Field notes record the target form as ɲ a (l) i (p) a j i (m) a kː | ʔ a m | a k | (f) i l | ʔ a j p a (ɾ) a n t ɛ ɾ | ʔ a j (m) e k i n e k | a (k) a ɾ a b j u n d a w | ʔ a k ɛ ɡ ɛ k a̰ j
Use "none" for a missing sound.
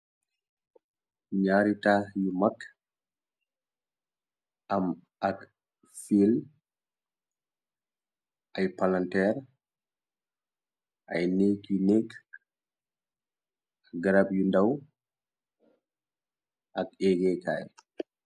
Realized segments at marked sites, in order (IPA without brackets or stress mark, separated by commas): ɾ, t, m, f, l, n, ɡ